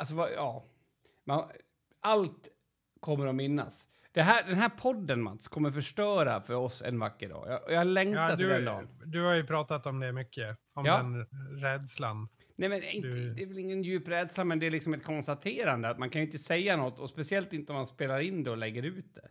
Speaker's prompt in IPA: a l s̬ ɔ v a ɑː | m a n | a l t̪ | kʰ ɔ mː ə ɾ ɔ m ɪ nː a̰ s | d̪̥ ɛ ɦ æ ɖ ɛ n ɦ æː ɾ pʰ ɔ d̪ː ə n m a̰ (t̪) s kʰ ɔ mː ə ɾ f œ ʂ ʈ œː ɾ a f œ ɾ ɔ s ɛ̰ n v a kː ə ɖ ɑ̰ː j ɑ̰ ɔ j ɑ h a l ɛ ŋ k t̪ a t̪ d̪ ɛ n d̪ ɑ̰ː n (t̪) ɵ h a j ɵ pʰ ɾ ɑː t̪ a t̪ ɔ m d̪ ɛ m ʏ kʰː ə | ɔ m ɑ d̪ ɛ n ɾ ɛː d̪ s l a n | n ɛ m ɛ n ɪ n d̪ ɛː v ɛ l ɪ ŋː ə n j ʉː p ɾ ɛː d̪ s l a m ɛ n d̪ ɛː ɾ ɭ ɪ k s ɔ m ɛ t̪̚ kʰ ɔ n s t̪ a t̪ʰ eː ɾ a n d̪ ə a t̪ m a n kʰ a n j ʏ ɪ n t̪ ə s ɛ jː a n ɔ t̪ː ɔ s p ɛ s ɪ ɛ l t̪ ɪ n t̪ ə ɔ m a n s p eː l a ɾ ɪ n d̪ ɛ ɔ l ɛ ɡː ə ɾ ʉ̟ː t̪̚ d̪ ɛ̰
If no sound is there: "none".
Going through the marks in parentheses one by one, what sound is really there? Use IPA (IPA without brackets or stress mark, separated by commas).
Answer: t̪, d̪